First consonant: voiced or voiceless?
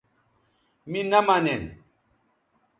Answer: voiced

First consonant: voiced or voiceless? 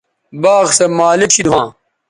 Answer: voiced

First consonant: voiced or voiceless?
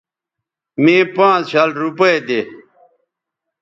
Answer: voiced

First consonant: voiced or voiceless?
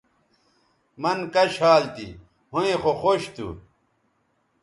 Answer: voiced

